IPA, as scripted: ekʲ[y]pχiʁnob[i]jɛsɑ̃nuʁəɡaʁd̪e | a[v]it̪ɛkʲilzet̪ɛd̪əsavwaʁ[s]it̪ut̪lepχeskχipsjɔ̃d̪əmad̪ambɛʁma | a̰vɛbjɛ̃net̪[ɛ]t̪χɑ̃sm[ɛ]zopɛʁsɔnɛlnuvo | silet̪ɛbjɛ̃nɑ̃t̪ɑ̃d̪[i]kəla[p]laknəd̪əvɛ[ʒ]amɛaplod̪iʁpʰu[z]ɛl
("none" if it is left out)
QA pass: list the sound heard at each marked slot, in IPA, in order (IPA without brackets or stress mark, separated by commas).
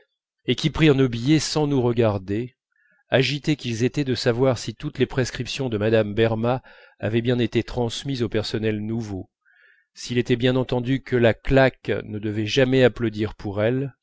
i, i, ʒ, s, e, i, y, k, ʒ, ʁ